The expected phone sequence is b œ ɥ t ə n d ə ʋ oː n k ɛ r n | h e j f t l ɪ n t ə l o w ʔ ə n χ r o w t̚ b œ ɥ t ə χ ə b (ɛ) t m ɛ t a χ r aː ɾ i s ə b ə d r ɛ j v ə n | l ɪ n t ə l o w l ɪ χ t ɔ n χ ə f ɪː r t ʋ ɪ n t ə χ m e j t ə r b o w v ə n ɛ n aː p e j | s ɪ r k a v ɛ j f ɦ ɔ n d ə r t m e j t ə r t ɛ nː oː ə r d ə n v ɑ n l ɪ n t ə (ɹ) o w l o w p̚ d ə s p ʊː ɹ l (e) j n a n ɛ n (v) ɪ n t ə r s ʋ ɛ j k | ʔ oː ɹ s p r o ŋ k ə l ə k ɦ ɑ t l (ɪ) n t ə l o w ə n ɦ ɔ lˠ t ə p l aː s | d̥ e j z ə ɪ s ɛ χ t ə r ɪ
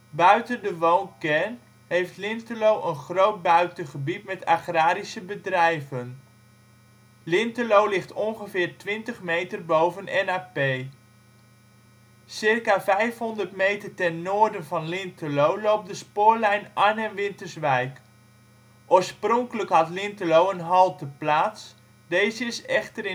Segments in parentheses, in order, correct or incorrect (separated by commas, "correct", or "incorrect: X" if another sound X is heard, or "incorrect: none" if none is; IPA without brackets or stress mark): incorrect: i, incorrect: l, incorrect: ɛ, incorrect: ʋ, correct